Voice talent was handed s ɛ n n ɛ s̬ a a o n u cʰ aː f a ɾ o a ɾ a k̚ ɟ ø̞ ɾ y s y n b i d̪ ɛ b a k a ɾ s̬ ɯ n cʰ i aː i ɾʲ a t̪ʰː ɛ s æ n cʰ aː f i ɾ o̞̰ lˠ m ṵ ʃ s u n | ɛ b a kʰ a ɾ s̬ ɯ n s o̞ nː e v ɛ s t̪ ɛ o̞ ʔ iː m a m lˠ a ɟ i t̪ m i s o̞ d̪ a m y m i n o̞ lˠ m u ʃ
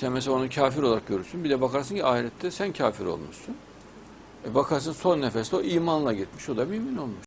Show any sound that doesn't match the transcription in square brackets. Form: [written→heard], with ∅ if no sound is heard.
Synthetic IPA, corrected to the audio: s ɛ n [n→m] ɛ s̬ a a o n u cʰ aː f [a→i] ɾ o a ɾ a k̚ ɟ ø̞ ɾ y s y n b i d̪ ɛ b a k a ɾ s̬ ɯ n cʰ i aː i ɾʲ [a→ɛ] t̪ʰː ɛ s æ n cʰ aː f i ɾ o̞̰ lˠ m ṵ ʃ s u n | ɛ b a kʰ a ɾ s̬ ɯ n s o̞ nː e [v→f] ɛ s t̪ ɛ o̞ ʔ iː m a [m→n] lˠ a ɟ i t̪ m i [s→ʃ] o̞ d̪ a m y m i n o̞ lˠ m u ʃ